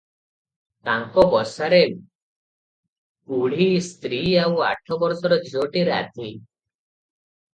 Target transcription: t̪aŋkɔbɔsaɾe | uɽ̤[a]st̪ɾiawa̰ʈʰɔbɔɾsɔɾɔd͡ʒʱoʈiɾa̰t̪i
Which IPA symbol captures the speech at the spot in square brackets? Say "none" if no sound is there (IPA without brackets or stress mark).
i